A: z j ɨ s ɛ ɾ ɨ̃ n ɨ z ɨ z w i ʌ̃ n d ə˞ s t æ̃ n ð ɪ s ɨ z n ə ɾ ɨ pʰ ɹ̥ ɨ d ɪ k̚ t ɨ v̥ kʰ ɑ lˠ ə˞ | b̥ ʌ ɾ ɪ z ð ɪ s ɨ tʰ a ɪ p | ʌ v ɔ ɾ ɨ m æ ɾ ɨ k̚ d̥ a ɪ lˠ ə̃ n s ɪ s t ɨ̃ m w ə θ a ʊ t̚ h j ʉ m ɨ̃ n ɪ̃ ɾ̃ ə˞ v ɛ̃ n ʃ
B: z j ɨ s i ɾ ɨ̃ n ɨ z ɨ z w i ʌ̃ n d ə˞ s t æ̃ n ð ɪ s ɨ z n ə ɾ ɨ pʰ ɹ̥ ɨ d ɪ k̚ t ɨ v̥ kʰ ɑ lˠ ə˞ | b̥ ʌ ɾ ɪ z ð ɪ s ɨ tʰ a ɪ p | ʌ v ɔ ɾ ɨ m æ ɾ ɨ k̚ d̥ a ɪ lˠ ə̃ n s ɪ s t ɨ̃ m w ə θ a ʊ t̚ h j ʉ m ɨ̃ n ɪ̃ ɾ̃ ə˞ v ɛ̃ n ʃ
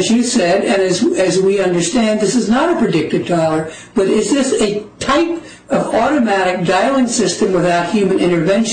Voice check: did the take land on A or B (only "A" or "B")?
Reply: A